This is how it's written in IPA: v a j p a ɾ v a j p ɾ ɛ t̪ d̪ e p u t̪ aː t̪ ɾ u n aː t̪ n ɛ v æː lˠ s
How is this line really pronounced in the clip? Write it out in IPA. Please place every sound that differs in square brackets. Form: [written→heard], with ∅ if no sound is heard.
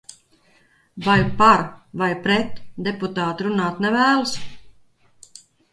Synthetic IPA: v a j p a ɾ v a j p ɾ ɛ t̪ d̪ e p u t̪ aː t̪ ɾ u n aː t̪ n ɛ v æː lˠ s